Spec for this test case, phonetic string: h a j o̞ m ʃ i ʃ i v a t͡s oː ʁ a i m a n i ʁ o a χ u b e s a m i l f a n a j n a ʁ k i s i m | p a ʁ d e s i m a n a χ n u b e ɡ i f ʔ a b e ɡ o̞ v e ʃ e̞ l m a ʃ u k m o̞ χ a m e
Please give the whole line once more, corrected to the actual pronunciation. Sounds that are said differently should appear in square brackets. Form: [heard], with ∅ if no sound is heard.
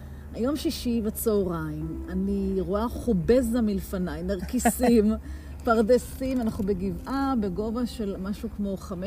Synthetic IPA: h a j o̞ m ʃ i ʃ i v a t͡s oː ʁ a i m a n i ʁ o a χ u b e [z] a m i l f a n a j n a ʁ k i s i m | p a ʁ d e s i m a n a χ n u b e ɡ i [v] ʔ a b e ɡ o̞ v [a] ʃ e̞ l m a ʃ u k m o̞ χ a m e